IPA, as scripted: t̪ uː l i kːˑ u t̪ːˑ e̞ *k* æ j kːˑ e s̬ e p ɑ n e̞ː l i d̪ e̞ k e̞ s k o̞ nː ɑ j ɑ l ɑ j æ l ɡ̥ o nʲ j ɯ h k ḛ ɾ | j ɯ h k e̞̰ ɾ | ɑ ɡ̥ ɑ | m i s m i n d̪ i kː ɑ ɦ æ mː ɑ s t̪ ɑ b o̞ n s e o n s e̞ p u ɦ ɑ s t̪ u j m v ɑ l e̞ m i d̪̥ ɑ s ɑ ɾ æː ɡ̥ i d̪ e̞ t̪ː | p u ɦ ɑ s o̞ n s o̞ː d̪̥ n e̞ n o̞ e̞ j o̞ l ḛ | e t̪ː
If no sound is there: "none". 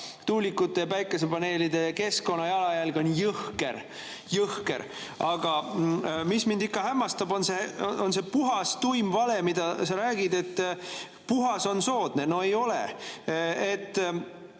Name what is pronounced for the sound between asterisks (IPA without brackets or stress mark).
p